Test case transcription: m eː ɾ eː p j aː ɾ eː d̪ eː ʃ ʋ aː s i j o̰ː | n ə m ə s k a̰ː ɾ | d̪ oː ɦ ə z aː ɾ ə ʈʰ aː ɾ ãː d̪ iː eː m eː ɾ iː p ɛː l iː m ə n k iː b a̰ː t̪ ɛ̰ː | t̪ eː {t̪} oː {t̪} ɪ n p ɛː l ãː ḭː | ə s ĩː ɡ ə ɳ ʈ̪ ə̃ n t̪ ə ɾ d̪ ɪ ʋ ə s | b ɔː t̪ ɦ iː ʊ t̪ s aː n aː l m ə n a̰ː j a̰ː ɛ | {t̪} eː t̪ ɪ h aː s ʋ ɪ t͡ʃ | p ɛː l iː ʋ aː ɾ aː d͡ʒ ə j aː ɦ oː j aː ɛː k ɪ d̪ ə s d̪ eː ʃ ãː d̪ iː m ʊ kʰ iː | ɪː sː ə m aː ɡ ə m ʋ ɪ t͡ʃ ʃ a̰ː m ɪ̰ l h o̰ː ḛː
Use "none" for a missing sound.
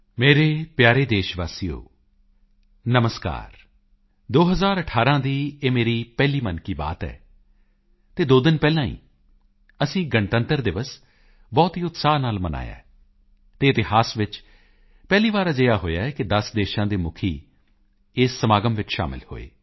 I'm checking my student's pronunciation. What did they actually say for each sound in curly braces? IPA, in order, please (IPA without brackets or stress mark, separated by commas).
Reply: d̪, d̪, t̪